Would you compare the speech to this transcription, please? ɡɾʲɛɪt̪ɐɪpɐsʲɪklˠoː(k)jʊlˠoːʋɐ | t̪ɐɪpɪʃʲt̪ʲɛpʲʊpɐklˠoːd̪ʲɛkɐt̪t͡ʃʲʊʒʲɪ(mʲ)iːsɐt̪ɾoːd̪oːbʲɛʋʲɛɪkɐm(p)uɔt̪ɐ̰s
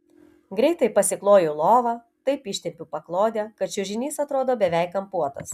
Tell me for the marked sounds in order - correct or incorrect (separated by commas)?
incorrect, incorrect, correct